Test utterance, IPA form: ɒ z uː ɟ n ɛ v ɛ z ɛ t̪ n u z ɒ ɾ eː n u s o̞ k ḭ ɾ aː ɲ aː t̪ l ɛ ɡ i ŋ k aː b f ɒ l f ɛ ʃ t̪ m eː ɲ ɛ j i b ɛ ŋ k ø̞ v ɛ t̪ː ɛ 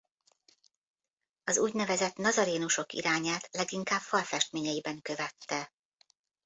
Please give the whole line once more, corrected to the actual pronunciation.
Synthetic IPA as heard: ɒ z uː ɟ n ɛ v ɛ z ɛ t̪ n ɒ z ɒ ɾ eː n u ʃ o̞ k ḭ ɾ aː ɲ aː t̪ l ɛ ɡ i ŋ k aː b f ɒ l f ɛ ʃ t̪ m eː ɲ ɛ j i b ɛ ŋ k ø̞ v ɛ t̪ː ɛ